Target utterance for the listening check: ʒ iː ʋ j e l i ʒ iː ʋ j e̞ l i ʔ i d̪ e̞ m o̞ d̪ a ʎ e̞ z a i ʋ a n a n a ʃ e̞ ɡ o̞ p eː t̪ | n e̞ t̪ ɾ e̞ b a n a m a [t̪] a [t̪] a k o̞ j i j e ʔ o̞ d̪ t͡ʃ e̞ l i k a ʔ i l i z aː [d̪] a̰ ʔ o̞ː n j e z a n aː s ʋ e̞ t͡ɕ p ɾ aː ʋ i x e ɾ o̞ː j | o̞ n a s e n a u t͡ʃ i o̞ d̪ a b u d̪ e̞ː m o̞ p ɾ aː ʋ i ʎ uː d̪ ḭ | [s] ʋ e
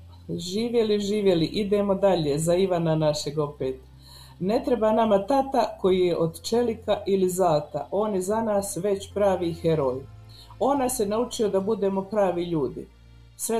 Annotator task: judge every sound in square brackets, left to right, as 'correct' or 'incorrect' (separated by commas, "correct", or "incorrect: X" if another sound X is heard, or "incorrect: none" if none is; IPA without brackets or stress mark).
correct, correct, incorrect: t̪, correct